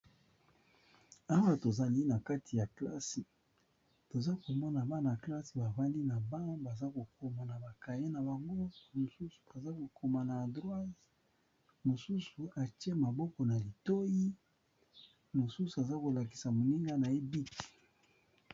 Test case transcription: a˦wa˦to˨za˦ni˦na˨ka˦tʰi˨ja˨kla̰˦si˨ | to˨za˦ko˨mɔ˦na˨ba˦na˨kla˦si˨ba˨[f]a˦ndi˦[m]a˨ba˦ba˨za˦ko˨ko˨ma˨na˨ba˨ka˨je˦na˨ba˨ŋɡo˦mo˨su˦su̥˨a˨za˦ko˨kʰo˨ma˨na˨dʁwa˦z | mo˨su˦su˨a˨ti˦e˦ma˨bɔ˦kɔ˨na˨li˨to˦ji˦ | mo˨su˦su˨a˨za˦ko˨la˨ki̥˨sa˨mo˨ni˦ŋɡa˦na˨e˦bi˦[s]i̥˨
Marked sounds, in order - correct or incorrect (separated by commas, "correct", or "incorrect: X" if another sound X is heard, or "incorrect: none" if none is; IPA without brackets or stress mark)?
incorrect: v, incorrect: n, incorrect: t